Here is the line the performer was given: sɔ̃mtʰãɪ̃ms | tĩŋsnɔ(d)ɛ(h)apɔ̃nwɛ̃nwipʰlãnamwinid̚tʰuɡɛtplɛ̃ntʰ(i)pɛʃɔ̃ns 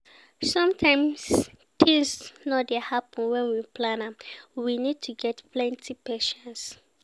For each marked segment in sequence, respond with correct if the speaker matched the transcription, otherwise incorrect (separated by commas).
correct, correct, correct